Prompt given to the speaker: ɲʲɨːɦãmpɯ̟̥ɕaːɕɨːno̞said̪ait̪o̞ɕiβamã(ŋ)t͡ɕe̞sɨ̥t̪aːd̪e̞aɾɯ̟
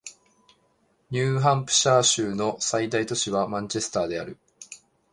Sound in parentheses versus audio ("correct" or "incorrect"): incorrect